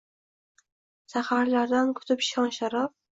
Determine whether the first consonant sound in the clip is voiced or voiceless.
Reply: voiceless